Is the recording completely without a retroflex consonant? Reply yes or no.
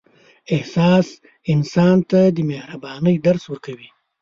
yes